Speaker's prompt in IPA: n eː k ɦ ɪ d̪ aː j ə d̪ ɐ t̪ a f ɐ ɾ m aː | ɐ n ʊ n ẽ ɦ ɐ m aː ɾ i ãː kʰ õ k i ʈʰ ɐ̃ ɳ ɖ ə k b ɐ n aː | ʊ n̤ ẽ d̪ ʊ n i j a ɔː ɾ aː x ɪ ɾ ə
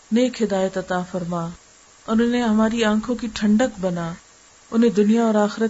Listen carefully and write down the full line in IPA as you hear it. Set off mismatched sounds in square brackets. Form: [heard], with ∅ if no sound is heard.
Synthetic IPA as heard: n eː k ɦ ɪ d̪ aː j ə [t̪] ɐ t̪ a f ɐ ɾ m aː | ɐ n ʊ n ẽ ɦ ɐ m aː ɾ i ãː kʰ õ k i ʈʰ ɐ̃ ɳ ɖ ə k b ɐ n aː | ʊ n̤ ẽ d̪ ʊ n i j a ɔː ɾ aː x ɪ ɾ ə